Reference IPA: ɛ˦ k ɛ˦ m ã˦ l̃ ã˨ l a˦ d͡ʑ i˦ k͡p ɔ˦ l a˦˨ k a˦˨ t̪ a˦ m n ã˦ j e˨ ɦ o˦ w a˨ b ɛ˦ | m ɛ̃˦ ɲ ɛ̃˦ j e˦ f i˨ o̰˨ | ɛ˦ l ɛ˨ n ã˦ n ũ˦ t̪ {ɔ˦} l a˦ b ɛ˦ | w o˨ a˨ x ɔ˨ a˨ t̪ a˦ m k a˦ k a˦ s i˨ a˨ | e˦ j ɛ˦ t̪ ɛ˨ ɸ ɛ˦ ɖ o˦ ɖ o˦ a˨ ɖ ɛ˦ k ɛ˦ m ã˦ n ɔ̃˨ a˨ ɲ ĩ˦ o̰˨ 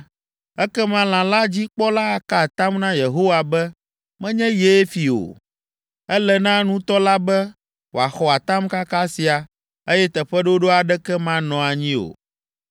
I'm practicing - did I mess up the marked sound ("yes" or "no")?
no